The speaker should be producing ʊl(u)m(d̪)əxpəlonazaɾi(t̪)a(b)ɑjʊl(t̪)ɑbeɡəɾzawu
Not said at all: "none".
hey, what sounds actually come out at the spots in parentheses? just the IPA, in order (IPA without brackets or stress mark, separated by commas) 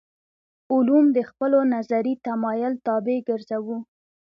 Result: u, d̪, t̪, m, t̪